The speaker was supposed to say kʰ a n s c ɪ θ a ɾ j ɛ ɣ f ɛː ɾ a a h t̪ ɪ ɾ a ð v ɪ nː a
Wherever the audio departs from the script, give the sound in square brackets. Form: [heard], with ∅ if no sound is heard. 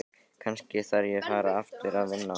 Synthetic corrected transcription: kʰ a n s c ɪ θ a ɾ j ɛ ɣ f [aː] ɾ a a [f] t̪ ɪ ɾ a ð v ɪ nː a